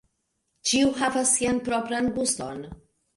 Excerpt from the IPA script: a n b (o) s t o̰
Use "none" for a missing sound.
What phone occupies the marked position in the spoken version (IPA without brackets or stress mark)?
u